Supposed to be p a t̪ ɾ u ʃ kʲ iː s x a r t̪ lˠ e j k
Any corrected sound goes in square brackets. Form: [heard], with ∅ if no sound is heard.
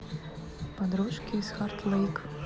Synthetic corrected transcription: p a [d̪] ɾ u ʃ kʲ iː s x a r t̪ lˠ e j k